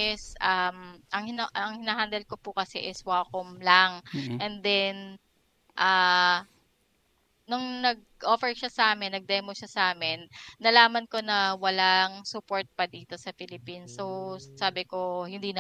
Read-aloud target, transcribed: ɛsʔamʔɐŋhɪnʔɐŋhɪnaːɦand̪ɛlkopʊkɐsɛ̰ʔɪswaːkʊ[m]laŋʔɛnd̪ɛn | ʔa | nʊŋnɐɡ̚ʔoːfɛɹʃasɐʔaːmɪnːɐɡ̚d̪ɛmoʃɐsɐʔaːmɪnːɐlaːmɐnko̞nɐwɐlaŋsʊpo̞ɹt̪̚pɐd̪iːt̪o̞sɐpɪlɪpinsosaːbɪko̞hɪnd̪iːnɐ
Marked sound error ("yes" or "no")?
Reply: no